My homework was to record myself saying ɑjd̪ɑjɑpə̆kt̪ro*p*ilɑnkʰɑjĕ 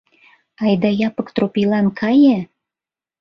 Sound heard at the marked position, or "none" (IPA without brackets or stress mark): p